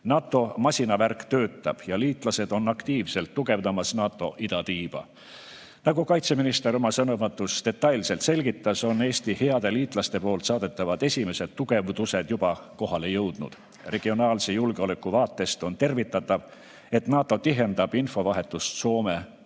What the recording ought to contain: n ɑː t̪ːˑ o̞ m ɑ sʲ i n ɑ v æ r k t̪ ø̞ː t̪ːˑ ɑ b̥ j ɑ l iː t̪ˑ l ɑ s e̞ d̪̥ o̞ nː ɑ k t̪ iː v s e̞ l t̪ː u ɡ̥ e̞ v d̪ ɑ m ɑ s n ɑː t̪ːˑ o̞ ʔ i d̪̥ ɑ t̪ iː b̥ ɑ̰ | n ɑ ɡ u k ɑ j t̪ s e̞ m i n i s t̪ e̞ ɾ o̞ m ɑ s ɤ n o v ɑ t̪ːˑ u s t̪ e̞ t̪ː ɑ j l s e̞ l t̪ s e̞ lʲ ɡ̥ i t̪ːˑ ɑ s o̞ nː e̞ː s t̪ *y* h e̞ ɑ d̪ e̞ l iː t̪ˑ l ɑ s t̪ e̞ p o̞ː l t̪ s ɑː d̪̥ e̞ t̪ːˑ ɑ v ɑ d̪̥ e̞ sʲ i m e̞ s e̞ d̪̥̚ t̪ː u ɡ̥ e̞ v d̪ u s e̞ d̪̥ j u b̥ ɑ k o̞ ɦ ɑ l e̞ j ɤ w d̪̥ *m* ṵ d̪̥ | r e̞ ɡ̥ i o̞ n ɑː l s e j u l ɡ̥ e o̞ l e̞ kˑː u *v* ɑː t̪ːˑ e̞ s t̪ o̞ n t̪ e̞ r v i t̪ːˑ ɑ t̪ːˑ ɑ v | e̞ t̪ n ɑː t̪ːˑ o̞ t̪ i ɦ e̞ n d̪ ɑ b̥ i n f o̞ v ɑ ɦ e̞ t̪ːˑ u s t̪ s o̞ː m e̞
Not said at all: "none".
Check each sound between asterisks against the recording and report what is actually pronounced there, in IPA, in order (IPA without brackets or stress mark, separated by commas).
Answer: i, n, v